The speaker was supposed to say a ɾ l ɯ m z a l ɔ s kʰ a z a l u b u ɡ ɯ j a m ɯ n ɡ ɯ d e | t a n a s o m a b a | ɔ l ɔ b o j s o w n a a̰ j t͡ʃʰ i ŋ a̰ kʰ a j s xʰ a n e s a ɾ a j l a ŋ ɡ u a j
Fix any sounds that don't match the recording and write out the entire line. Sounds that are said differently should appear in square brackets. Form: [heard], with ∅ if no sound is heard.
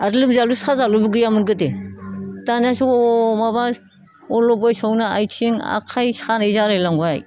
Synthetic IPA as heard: a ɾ l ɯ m z a l [u] s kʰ a z a l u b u ɡ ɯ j a m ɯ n ɡ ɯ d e | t a n a s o m a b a | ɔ l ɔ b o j s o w n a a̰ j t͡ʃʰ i ŋ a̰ kʰ a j s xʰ a n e [z] a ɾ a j l a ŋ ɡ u a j